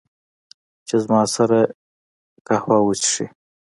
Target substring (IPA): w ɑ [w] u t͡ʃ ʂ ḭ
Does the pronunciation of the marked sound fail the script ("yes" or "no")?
no